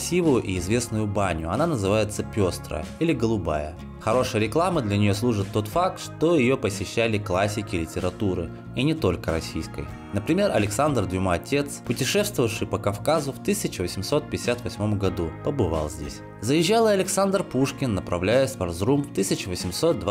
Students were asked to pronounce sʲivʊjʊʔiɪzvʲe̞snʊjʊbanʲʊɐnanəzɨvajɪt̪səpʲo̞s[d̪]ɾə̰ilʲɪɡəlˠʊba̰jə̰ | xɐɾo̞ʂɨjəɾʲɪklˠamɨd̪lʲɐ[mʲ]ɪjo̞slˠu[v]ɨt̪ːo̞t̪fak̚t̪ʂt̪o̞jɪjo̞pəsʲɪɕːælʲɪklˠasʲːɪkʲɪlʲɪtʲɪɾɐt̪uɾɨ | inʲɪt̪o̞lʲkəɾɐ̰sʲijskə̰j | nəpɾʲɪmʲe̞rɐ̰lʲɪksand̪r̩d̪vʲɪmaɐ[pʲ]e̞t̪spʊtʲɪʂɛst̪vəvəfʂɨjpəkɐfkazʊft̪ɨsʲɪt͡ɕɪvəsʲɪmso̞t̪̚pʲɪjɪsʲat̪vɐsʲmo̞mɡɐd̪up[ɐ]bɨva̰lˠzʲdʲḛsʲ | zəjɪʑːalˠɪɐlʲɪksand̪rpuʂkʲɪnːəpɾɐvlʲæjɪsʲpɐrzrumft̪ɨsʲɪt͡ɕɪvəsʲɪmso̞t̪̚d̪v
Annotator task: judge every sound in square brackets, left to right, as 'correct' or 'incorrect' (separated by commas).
incorrect, incorrect, incorrect, incorrect, incorrect